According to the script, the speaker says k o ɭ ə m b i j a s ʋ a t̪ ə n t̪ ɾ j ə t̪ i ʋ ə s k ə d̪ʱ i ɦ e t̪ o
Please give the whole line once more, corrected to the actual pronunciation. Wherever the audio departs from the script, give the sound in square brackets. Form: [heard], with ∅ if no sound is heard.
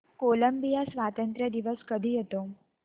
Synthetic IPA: k o [l] ə m b i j a s ʋ a t̪ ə n t̪ ɾ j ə [d̪] i ʋ ə s k ə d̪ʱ i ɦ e t̪ o